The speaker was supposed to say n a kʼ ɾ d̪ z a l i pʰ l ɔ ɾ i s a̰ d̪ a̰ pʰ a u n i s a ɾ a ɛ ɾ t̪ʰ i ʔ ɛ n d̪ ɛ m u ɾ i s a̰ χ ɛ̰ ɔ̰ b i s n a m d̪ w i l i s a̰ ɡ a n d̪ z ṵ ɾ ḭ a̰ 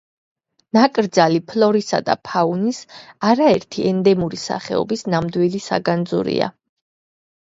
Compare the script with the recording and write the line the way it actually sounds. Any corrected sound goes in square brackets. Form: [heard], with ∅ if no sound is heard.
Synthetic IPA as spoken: n a kʼ ɾ d̪ z a l i pʰ l ɔ ɾ i s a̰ d̪ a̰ pʰ a u n i s a ɾ a ɛ ɾ t̪ʰ i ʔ ɛ n d̪ ɛ m u ɾ i s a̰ χ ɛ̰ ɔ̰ b i s n a m d̪ w i l i s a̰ ɡ a n d̪ z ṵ ɾ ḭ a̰